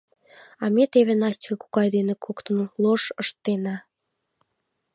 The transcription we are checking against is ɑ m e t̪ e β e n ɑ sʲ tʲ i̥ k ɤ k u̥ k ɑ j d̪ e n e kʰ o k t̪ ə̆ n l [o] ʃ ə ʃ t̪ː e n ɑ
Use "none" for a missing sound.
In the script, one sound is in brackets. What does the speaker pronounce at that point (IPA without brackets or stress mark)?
o